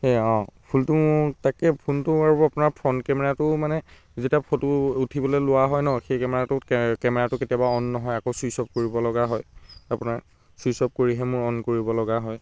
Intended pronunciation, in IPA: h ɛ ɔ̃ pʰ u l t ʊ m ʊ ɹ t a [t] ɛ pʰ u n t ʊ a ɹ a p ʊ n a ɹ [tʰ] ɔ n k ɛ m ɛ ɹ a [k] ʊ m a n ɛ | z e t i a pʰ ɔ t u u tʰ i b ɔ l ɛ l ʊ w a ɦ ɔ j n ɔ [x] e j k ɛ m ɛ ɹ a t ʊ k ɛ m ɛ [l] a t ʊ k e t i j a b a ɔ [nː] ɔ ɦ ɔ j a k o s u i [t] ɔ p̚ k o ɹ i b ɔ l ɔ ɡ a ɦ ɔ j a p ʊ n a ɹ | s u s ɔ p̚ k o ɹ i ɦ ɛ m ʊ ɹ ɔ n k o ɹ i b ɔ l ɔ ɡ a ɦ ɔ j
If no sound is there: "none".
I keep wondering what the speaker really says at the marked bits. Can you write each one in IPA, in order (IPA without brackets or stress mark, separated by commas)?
k, pʰ, t, x, ɹ, nː, s